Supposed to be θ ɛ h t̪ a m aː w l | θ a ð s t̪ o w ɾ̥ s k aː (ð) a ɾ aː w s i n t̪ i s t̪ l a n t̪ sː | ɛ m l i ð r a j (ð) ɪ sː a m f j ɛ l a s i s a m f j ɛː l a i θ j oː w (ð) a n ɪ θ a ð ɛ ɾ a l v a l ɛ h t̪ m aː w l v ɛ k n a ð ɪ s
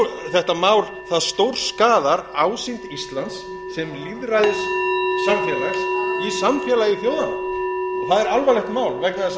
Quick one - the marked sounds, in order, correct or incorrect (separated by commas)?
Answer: correct, correct, correct